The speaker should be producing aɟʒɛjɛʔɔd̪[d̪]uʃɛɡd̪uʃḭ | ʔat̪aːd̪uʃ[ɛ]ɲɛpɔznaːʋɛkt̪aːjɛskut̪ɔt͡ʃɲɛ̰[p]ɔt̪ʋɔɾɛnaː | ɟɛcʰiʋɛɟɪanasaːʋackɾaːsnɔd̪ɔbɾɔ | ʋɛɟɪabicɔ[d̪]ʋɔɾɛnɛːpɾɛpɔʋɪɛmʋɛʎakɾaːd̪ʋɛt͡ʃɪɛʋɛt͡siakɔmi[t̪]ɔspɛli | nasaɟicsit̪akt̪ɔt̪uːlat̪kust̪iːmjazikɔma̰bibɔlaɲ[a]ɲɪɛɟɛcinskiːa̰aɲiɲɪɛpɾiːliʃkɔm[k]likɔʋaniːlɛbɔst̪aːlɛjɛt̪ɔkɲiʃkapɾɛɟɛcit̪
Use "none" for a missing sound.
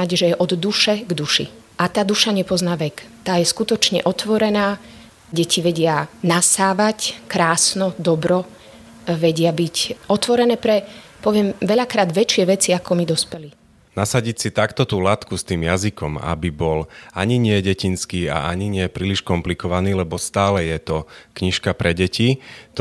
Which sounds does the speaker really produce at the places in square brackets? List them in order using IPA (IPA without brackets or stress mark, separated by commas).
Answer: d̪, a, ʔ, t̪, d̪, i, p